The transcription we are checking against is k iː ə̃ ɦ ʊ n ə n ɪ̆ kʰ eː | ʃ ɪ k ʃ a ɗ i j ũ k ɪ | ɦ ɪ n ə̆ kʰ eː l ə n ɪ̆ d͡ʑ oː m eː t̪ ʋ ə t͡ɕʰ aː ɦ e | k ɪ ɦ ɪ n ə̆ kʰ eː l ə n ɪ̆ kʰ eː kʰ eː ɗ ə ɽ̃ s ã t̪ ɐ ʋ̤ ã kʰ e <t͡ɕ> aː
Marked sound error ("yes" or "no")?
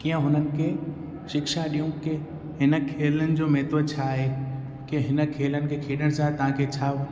yes